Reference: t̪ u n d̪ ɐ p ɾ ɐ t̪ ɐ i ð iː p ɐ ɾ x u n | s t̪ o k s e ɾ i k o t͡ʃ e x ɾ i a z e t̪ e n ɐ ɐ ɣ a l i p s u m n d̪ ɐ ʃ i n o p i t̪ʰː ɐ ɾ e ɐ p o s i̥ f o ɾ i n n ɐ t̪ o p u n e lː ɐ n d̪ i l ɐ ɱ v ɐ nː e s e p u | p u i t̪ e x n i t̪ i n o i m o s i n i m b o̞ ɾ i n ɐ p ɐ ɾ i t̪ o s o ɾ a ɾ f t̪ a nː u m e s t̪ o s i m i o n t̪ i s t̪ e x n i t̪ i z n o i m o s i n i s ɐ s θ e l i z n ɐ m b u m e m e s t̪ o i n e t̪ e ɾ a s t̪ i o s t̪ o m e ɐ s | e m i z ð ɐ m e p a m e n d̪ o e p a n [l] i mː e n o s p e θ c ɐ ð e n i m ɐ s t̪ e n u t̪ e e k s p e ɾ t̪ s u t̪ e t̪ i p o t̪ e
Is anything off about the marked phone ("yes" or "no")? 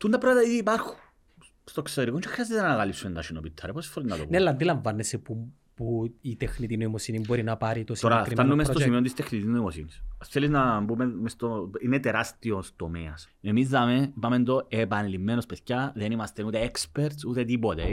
no